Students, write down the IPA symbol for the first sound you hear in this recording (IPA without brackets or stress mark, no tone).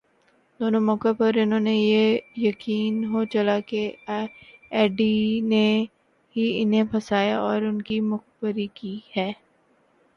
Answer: d̪